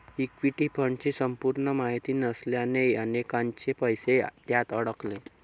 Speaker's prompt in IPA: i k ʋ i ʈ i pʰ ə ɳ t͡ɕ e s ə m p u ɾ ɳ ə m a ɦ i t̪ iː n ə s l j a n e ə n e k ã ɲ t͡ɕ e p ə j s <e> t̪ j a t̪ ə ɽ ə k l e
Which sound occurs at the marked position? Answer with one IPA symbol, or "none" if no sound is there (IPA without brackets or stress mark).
e